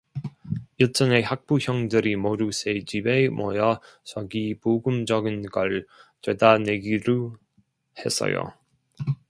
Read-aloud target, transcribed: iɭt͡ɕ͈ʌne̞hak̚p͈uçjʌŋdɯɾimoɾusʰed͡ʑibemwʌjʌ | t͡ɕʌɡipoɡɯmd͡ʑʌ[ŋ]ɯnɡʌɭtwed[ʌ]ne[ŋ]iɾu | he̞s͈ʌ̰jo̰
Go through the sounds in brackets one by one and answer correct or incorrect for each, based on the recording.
incorrect: ɡ, incorrect: a, incorrect: ɡ

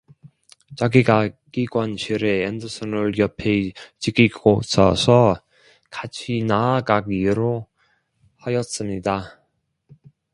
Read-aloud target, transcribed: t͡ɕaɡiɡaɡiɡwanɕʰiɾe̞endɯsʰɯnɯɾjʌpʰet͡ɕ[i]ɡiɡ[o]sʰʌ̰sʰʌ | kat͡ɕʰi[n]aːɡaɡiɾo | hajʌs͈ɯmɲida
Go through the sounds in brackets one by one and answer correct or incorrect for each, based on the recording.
correct, correct, correct

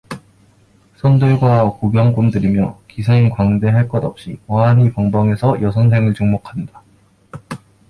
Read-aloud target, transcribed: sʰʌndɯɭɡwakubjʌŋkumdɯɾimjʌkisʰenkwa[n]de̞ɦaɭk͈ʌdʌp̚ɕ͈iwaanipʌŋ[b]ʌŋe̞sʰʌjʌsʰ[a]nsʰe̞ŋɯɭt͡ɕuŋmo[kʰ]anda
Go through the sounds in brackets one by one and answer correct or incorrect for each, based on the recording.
incorrect: ŋ, correct, incorrect: ʌ, correct

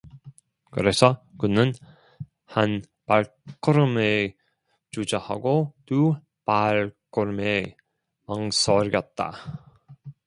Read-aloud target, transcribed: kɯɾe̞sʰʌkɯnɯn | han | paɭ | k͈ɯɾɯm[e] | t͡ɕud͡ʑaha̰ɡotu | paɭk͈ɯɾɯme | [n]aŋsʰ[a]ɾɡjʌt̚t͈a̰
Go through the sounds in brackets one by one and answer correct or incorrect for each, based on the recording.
correct, incorrect: m, incorrect: ʌ

